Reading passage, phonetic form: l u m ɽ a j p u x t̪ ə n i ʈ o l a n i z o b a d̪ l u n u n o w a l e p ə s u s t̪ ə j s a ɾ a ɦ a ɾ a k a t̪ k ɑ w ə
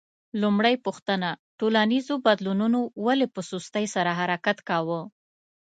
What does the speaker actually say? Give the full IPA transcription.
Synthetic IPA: l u m ɽ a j p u x t̪ ə n a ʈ o l a n i z o b a d̪ l u n u n o w a l e p ə s u s t̪ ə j s a ɾ a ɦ a ɾ a k a t̪ k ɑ w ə